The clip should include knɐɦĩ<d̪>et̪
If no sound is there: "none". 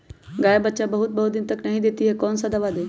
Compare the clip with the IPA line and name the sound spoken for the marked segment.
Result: d̪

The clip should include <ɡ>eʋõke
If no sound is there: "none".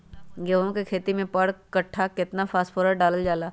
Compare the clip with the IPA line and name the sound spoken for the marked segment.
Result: ɡ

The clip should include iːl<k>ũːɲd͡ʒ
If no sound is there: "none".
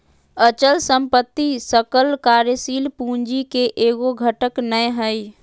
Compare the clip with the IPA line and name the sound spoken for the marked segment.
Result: p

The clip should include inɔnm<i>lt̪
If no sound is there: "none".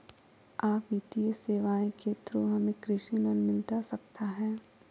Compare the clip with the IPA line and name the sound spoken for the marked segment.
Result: ɪ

